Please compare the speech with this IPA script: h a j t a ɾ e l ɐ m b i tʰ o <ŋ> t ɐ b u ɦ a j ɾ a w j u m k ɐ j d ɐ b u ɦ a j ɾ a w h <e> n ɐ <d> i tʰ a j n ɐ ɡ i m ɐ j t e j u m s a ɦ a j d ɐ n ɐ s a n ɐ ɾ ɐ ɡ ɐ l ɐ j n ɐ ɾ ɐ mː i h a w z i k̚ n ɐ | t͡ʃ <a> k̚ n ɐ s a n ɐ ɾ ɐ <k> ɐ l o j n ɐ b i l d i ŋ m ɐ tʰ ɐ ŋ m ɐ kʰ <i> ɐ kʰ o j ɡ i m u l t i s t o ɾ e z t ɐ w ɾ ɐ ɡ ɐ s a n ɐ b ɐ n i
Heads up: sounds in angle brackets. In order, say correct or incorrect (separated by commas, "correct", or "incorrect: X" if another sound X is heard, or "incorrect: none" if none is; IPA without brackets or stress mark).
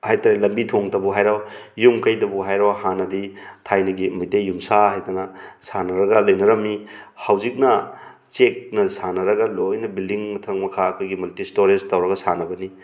correct, incorrect: a, correct, incorrect: e, incorrect: ɡ, incorrect: a